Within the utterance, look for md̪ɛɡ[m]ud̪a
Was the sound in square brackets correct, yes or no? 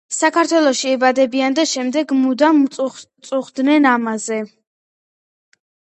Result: yes